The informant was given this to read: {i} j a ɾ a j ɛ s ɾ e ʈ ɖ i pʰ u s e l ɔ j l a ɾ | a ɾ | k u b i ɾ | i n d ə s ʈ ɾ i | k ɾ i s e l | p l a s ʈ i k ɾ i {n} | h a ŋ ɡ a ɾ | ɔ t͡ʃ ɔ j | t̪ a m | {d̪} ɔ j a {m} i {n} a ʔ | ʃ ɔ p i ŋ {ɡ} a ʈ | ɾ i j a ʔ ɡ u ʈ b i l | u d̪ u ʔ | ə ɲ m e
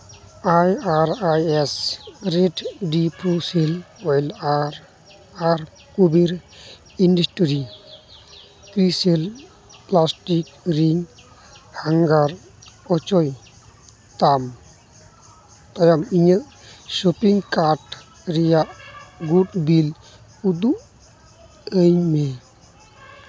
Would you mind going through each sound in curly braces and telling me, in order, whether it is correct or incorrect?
incorrect: a, incorrect: ŋ, incorrect: t̪, correct, incorrect: ɲ, incorrect: k

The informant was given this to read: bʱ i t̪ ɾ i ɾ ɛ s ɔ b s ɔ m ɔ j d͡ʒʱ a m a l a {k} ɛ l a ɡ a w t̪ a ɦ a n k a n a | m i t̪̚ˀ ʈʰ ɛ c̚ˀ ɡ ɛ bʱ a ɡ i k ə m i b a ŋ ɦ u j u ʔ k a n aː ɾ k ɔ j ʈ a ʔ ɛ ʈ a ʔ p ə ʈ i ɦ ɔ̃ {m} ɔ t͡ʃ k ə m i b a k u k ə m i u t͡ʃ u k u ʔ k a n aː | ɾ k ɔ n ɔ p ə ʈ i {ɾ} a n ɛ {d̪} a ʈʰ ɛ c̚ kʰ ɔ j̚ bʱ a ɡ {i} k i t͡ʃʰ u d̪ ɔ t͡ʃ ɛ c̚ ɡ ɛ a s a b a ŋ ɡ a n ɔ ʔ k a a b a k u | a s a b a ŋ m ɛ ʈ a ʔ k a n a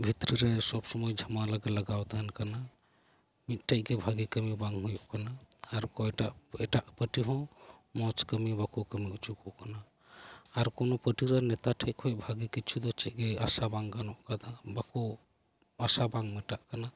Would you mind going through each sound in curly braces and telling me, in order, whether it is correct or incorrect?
incorrect: ɡ, correct, correct, incorrect: t̪, correct

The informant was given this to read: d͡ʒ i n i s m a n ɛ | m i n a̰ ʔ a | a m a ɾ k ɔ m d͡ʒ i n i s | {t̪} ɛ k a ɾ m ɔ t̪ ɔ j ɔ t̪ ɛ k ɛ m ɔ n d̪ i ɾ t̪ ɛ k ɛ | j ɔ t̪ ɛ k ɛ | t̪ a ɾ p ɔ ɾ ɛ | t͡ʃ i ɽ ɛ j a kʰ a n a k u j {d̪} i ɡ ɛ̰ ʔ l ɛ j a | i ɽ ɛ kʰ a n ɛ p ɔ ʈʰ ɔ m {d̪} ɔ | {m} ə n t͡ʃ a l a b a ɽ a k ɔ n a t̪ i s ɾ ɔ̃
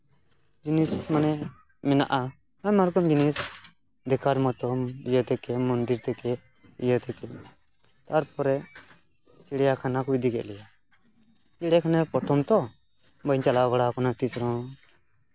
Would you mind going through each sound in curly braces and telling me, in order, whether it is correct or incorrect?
incorrect: d̪, correct, incorrect: t̪, incorrect: b

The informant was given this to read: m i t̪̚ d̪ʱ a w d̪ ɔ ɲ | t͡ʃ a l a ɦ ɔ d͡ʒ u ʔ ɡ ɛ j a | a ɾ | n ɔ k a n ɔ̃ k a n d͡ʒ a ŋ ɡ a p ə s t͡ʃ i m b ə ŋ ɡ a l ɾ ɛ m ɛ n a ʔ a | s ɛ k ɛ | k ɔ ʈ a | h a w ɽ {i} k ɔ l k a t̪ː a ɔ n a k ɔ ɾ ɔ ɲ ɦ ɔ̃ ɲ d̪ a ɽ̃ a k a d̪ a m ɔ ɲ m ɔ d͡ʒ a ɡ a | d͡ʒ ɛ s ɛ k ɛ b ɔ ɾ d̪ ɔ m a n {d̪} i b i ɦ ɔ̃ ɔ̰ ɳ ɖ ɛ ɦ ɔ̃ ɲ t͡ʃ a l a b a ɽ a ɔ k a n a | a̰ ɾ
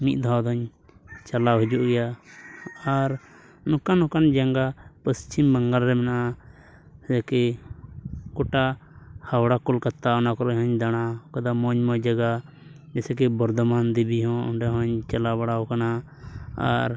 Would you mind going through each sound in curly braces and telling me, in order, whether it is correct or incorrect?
incorrect: a, correct

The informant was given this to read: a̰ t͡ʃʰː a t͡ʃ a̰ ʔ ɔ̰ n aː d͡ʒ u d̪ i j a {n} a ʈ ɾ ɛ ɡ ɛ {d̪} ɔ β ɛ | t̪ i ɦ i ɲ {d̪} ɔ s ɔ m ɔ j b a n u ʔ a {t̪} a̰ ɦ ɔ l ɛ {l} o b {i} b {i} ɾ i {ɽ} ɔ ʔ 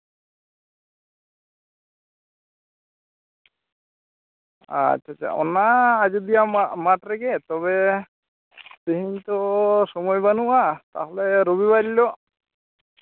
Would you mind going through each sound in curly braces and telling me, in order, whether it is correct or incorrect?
incorrect: m, incorrect: t̪, incorrect: t̪, correct, incorrect: ɾ, correct, incorrect: a, incorrect: l

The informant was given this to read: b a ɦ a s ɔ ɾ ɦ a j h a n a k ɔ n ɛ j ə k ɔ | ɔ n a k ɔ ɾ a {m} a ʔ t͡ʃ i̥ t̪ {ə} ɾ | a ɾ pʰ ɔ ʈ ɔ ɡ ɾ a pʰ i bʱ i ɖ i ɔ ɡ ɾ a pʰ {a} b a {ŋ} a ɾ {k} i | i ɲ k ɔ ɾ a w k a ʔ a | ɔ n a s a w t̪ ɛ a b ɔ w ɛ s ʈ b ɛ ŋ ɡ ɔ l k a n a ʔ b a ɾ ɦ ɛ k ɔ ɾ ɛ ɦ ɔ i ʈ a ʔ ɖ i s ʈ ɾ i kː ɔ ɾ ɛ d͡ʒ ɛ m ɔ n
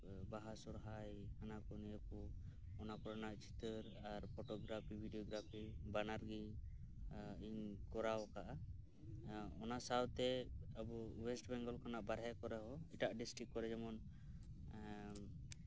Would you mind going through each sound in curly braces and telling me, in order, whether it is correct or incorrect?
incorrect: n, correct, incorrect: i, incorrect: n, incorrect: ɡ

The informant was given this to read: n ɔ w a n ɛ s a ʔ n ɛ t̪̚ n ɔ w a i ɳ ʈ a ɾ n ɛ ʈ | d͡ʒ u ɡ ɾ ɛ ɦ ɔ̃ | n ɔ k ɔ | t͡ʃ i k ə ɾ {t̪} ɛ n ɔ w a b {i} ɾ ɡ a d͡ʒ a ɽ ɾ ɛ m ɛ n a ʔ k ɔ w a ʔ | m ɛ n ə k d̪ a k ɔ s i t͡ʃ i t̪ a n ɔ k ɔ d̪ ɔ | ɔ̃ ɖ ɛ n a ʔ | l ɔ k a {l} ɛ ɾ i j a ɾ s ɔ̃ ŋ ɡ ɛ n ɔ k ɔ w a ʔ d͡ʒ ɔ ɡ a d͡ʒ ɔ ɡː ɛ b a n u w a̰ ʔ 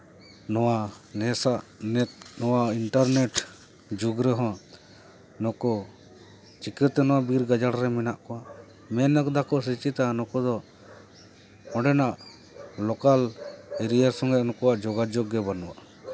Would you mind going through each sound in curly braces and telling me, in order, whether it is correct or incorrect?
correct, correct, correct

